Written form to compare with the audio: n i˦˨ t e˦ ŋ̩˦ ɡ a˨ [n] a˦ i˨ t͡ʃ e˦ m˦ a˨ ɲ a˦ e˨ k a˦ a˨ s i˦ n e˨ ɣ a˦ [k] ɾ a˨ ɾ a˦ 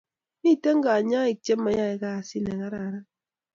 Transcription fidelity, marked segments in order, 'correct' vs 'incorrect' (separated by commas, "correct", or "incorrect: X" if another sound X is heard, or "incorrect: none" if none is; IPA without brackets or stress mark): incorrect: ɲ, incorrect: none